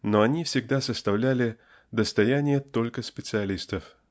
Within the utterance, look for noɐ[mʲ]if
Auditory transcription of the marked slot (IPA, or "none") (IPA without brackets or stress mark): nʲ